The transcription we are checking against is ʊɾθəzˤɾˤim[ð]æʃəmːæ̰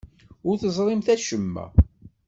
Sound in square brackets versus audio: incorrect: θ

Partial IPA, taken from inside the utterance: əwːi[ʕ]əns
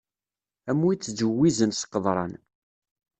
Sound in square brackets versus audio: incorrect: z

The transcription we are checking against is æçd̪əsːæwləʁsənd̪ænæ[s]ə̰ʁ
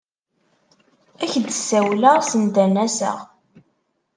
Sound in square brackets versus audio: correct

